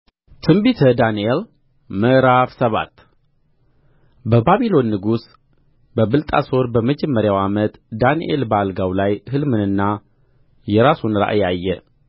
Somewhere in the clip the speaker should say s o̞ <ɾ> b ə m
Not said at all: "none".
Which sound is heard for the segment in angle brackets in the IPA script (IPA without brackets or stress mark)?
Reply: ɾ